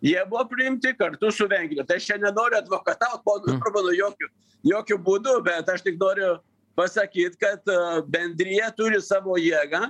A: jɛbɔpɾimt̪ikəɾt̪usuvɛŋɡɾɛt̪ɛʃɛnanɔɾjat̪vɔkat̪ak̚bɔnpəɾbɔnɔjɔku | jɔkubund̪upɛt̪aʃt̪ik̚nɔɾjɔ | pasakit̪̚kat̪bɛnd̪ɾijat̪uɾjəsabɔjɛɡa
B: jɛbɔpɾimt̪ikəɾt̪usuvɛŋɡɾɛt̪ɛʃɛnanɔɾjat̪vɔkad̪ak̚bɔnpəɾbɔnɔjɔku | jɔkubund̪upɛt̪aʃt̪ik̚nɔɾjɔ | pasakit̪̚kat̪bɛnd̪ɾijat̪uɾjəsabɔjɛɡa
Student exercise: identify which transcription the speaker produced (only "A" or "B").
A